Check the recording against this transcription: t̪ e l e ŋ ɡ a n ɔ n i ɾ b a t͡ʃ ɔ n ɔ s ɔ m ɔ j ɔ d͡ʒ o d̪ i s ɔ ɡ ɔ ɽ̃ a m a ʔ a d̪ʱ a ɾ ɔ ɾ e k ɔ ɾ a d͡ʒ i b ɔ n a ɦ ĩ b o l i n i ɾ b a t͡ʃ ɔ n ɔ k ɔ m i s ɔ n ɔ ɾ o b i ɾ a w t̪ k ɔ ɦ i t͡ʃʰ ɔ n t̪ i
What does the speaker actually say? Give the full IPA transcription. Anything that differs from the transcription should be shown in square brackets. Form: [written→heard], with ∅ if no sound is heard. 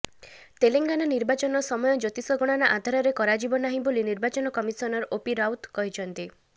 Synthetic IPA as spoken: t̪ e l e ŋ ɡ a n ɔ n i ɾ b a t͡ʃ ɔ n ɔ s ɔ m ɔ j ɔ d͡ʒ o [d̪→t̪] i s ɔ ɡ ɔ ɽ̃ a [m→n] a ʔ a d̪ʱ a ɾ ɔ ɾ e k ɔ ɾ a d͡ʒ i b ɔ n a ɦ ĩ b o l i n i ɾ b a t͡ʃ ɔ n ɔ k ɔ m i s ɔ n ɔ ɾ o [b→p] i ɾ a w t̪ k ɔ ɦ i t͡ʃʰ ɔ n t̪ i